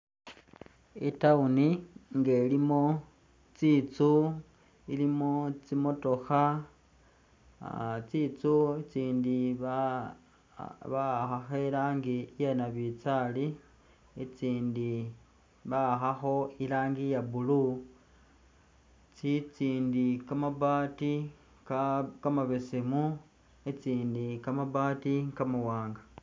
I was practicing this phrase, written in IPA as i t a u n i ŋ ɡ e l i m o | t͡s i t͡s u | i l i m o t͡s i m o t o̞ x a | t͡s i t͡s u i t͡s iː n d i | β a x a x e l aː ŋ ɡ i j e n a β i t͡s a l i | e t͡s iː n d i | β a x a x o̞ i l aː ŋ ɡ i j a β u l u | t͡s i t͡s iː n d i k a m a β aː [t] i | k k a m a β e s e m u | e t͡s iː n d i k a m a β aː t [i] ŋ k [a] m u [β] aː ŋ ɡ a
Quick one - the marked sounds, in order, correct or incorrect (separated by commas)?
correct, correct, correct, incorrect